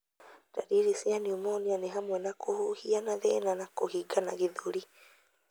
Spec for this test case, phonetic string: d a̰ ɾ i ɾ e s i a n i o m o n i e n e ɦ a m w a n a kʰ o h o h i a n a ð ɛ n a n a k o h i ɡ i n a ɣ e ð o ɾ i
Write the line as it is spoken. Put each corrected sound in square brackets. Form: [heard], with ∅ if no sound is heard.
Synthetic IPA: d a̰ ɾ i ɾ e s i a n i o m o n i [a] n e ɦ a m w [ɛ] n a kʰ o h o h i a n a ð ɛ n a n a k o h i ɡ [a] n a ɣ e ð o ɾ i